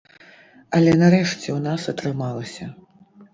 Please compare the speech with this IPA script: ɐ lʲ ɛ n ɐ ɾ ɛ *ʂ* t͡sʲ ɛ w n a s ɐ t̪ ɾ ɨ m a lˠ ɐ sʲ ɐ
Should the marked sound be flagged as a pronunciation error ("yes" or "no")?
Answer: no